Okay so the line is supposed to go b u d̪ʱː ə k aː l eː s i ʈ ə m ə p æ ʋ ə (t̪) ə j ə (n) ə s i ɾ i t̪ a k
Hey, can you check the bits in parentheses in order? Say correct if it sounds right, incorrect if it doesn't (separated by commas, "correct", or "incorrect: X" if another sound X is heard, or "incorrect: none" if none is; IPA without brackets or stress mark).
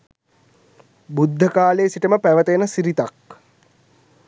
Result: correct, correct